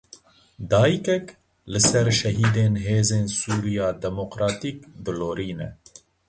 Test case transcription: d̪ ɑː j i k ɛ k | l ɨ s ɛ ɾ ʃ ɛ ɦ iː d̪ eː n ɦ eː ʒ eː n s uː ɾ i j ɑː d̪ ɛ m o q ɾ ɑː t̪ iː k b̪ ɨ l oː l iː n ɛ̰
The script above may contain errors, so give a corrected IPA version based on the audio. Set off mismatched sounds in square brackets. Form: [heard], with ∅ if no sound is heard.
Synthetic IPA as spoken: d̪ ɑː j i k ɛ k | l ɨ s ɛ ɾ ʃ ɛ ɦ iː d̪ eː n ɦ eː [z] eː n s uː ɾ i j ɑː d̪ ɛ m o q ɾ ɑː t̪ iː k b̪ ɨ l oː [ɾ] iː n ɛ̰